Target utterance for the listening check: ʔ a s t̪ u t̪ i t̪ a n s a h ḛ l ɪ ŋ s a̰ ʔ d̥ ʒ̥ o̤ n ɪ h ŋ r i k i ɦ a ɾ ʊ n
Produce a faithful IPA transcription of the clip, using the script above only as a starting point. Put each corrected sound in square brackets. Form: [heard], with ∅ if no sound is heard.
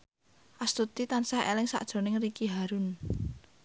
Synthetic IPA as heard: ʔ a s t̪ u t̪ i t̪ a n s a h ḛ l ɪ ŋ s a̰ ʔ d̥ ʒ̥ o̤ n ɪ [∅] ŋ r i k i ɦ a ɾ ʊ n